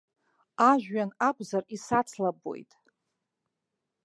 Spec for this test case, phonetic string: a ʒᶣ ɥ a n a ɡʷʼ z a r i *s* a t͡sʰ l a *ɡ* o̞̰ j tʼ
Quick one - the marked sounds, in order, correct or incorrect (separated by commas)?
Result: correct, incorrect